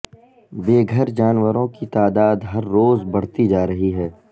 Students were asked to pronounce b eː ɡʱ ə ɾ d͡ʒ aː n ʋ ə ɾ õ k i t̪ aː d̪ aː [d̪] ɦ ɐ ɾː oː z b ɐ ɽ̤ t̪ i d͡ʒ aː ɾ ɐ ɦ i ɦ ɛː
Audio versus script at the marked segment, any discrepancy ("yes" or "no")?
no